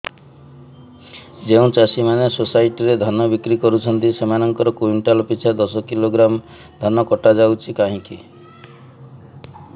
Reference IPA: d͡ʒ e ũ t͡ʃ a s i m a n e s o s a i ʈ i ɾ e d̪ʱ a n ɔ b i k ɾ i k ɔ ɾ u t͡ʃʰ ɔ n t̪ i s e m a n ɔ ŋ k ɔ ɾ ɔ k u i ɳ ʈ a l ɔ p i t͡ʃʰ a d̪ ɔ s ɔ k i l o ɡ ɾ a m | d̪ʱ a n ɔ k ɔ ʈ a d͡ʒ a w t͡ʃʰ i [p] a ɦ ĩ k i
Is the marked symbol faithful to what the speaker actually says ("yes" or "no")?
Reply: no